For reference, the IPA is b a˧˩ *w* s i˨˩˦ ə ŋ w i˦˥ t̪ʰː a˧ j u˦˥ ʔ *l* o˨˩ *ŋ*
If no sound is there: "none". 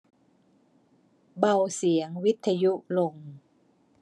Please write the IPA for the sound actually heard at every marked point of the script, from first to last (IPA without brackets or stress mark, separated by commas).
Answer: w, l, ŋ